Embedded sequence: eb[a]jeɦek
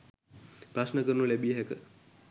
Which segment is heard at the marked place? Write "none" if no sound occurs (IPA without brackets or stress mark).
i